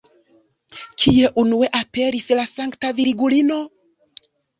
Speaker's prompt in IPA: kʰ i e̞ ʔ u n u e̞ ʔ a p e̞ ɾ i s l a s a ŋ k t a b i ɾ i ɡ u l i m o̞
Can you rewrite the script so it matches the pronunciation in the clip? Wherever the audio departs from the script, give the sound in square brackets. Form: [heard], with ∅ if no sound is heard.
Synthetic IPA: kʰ i e̞ ʔ u n u e̞ ʔ a p e̞ ɾ i s l a s a ŋ k t a [v] i ɾ i ɡ u l i [n] o̞